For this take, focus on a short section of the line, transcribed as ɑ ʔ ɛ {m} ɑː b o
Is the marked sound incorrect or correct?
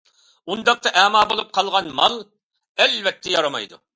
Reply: correct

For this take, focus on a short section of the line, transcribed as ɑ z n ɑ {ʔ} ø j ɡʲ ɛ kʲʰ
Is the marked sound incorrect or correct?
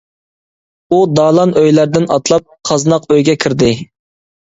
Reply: incorrect: q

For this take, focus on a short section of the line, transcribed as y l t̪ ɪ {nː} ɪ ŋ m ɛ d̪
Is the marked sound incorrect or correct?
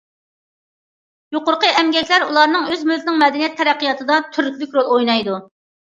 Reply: incorrect: n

